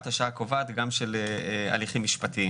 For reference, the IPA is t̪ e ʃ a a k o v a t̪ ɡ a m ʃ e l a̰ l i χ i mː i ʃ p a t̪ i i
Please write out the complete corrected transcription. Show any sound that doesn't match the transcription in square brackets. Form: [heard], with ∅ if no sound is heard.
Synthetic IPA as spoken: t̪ [a] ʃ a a k o v a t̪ ɡ a m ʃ e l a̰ l i χ i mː i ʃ p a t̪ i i